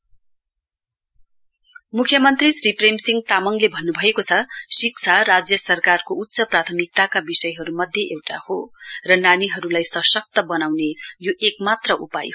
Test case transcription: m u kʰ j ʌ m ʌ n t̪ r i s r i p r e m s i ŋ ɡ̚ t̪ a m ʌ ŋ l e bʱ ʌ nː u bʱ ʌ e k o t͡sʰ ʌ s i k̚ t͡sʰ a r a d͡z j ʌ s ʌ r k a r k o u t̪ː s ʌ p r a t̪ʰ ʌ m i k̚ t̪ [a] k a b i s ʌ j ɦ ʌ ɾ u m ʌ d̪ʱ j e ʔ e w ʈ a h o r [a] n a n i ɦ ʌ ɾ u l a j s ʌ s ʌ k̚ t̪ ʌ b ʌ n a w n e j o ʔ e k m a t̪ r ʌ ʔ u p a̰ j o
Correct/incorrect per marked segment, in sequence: correct, incorrect: ʌ

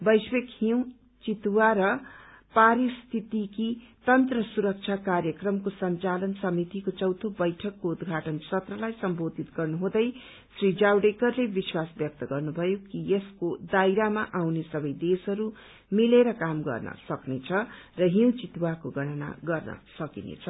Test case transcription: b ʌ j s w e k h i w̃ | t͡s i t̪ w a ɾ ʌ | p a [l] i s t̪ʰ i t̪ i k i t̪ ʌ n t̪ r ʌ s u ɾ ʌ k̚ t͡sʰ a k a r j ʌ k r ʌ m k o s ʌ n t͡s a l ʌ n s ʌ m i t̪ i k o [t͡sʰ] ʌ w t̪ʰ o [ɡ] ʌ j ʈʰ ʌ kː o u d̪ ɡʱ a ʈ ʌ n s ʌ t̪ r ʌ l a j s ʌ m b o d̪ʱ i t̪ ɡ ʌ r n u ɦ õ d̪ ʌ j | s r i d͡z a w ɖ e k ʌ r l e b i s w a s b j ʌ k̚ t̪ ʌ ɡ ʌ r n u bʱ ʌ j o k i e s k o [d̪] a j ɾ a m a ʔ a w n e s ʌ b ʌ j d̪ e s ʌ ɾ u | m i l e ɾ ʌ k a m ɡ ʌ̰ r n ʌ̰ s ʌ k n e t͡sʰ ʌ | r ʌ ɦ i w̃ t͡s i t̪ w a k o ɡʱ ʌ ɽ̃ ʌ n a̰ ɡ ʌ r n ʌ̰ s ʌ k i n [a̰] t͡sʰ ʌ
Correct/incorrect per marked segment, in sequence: incorrect: ɾ, incorrect: t͡s, incorrect: b, correct, incorrect: ḛ

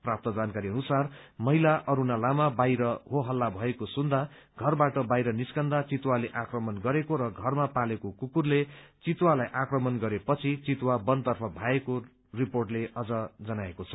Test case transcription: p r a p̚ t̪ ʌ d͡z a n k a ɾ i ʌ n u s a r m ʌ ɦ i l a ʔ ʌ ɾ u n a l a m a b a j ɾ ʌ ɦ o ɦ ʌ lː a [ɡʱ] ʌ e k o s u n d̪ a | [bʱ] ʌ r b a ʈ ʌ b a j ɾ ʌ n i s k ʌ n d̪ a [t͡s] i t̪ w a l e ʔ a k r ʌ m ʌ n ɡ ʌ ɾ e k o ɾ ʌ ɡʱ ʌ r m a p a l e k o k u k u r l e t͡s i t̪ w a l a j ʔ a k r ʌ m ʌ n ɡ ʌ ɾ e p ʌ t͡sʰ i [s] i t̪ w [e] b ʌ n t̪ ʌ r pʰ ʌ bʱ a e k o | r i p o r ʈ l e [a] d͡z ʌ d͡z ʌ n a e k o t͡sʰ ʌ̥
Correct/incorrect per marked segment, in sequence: incorrect: bʱ, incorrect: ɡʱ, correct, incorrect: t͡s, incorrect: a, incorrect: ʌ

